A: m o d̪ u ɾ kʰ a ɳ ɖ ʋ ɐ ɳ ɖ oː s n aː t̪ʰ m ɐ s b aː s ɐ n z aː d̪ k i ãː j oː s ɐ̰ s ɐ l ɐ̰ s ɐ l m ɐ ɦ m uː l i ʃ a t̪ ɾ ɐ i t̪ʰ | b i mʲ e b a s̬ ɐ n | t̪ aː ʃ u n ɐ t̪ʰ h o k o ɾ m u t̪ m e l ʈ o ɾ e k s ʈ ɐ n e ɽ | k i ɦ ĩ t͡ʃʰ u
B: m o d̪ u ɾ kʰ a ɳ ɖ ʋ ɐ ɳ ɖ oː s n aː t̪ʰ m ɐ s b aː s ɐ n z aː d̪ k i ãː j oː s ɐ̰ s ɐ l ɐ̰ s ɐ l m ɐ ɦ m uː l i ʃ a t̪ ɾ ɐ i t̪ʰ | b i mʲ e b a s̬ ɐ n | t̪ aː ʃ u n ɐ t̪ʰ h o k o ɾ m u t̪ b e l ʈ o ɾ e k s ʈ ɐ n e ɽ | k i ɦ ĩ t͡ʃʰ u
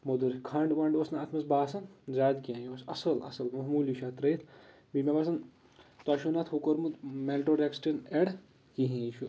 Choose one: A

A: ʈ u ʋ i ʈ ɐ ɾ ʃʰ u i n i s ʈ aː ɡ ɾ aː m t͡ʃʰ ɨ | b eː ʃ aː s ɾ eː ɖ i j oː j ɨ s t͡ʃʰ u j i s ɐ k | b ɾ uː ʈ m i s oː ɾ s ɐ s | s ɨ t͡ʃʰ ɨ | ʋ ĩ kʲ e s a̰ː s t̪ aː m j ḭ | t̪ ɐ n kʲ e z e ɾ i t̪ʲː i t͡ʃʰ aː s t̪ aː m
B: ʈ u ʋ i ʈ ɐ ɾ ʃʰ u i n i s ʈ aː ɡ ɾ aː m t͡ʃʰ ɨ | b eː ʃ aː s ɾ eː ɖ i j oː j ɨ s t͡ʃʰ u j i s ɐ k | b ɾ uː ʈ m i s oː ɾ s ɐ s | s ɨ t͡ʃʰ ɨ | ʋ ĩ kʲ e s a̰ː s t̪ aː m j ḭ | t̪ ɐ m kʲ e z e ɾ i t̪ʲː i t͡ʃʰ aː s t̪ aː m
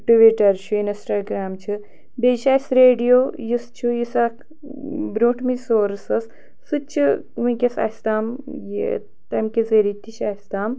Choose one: B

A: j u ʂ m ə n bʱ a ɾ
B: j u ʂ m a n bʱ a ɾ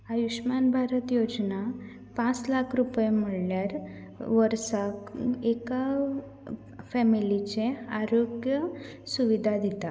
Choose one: B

